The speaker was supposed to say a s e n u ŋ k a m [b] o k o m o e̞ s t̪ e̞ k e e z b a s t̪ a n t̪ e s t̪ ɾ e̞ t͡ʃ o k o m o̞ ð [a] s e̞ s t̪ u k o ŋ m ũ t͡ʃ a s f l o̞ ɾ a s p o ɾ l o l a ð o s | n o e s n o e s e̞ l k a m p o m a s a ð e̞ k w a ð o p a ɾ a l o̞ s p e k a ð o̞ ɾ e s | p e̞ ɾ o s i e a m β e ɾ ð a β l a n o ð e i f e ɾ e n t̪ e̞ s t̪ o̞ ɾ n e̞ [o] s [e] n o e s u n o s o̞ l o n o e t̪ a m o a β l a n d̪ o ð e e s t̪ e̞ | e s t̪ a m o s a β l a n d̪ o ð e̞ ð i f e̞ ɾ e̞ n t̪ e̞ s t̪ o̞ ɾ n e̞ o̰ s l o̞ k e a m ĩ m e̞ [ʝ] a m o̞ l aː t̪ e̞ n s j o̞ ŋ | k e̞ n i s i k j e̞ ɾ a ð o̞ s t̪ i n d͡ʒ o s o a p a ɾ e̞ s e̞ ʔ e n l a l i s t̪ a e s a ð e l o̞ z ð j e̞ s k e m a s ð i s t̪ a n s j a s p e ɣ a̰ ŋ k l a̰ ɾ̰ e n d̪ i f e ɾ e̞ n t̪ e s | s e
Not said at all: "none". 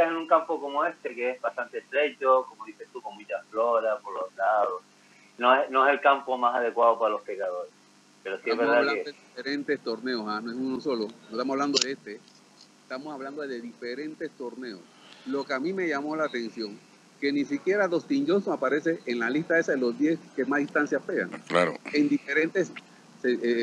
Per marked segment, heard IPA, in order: p, i, o, a, ʝ

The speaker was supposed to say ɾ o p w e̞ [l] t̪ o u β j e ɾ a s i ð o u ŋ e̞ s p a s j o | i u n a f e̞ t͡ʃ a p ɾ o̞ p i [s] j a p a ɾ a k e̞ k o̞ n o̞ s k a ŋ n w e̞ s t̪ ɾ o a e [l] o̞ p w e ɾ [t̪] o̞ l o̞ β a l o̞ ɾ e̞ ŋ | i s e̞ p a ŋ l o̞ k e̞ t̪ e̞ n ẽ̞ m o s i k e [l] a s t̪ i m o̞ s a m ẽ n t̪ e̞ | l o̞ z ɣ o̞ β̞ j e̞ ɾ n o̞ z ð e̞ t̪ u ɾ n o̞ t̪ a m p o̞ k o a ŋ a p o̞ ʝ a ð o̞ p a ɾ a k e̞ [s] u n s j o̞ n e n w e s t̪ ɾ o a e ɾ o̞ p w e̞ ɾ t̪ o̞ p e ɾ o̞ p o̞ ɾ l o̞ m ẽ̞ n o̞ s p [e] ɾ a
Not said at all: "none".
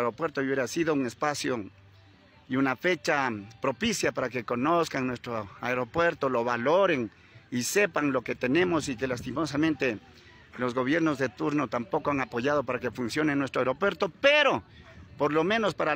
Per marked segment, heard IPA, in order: ɾ, s, ɾ, t̪, l, f, a

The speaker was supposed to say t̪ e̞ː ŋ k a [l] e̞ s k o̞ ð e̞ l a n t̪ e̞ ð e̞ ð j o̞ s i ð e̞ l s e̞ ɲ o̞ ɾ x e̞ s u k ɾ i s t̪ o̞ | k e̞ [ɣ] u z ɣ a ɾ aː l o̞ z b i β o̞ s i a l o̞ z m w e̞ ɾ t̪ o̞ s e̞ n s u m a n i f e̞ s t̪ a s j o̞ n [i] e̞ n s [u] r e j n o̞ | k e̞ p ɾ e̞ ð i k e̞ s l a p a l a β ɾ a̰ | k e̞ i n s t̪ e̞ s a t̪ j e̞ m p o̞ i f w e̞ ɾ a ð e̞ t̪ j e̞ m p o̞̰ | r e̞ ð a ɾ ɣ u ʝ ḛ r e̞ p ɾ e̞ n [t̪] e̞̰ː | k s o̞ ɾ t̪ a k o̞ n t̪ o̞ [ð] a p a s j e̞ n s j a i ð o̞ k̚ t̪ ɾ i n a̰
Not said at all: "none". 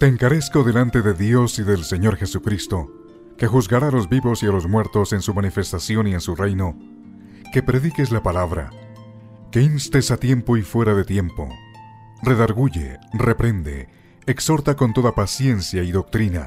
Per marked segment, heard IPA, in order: ɾ, x, i, u, d̪, ð

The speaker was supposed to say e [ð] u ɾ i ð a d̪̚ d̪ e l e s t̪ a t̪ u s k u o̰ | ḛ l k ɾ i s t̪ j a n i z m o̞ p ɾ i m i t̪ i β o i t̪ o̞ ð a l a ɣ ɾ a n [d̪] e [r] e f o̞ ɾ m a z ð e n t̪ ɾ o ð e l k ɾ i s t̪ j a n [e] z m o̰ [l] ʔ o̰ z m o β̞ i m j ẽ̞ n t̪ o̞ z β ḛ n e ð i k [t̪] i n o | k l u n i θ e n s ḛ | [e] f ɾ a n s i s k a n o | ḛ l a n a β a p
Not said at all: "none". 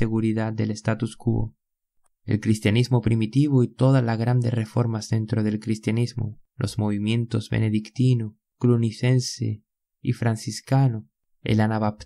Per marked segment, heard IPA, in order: ɣ, d̪, r, i, l, t̪, i

